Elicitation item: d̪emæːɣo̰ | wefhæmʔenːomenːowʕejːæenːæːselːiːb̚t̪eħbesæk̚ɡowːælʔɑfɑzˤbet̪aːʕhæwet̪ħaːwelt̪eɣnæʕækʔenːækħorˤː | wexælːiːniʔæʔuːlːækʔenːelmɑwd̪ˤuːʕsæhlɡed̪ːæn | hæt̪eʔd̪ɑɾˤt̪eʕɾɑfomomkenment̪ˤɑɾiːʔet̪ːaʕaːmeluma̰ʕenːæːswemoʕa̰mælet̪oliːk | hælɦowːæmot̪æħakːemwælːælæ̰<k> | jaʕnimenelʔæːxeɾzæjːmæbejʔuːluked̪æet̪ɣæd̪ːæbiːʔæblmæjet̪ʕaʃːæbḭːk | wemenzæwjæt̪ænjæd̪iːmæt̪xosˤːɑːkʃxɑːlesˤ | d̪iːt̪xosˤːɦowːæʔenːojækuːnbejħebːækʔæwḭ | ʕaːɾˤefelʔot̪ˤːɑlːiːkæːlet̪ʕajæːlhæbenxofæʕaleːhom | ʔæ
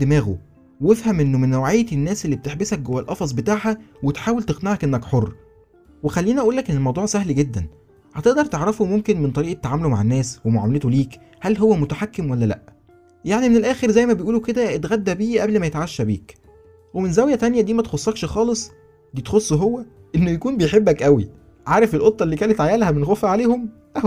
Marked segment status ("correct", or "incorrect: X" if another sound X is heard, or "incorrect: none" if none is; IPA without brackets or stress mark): incorrect: ʔ